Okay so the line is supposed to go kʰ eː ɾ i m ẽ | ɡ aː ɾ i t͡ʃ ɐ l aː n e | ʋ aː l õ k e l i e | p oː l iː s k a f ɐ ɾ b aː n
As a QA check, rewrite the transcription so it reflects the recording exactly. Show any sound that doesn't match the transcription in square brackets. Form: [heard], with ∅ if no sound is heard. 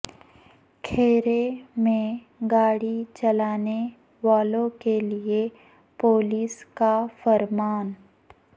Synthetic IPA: kʰ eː ɾ [e] m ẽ | ɡ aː [ɽ] i t͡ʃ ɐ l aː n e | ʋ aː l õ k e l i e | p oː l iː s k a f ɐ ɾ [m] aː n